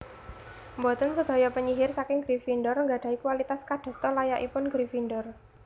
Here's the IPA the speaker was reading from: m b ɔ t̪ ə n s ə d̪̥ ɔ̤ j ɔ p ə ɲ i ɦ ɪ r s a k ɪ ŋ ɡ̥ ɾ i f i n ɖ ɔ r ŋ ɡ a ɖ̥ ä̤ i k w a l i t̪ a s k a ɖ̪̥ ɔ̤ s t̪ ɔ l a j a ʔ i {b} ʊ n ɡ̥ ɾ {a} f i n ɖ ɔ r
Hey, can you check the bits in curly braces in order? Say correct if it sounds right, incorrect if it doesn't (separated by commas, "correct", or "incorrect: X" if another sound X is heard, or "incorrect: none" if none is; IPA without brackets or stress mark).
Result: incorrect: p, incorrect: i